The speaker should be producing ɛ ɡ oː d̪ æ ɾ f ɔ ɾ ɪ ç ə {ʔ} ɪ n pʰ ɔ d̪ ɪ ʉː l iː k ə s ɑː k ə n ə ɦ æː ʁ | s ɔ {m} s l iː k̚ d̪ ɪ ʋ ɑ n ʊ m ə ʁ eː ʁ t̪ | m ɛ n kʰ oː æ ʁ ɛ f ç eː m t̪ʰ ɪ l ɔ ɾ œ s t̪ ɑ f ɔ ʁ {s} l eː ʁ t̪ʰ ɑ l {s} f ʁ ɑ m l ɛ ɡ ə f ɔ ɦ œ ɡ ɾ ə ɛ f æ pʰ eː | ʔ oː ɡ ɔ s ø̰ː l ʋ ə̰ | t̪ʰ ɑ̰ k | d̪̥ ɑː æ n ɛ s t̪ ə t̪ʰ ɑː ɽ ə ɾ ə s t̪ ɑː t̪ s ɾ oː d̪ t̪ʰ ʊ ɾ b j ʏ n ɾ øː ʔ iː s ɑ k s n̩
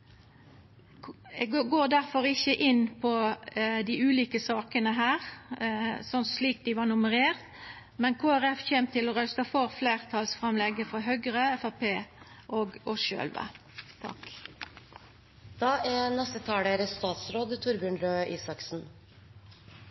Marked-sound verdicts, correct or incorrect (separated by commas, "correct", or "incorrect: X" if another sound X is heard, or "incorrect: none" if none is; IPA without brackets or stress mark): correct, incorrect: n, incorrect: f, correct